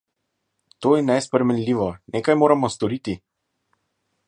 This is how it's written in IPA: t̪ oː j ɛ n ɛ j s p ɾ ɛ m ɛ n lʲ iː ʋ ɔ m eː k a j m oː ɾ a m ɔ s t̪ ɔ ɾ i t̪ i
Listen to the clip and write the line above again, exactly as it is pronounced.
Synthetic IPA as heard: t̪ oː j ɛ n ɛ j s p ɾ ɛ m ɛ n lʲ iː ʋ ɔ n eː k a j m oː ɾ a m ɔ s t̪ ɔ ɾ i t̪ i